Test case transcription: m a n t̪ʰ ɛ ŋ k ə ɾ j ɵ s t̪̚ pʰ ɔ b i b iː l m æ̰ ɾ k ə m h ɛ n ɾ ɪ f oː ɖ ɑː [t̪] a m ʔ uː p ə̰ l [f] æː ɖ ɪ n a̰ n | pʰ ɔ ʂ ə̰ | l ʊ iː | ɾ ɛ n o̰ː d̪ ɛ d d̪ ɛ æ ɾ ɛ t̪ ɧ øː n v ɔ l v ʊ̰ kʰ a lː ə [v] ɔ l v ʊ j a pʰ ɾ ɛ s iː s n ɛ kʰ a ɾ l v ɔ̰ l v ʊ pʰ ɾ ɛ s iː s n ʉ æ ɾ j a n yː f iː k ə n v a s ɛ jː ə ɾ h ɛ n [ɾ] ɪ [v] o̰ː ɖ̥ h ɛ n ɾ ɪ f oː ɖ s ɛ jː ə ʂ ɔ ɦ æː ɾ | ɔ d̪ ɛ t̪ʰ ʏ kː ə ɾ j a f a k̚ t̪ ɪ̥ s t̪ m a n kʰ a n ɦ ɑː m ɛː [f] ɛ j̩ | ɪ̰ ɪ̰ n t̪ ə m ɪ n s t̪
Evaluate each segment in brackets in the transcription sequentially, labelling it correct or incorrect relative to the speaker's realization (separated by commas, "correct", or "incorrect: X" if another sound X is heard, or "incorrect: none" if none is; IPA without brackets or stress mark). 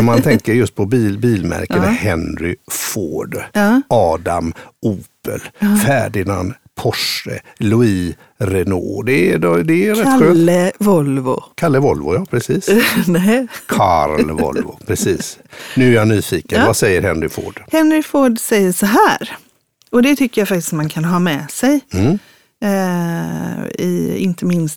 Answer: incorrect: d̪, correct, correct, correct, incorrect: f, incorrect: s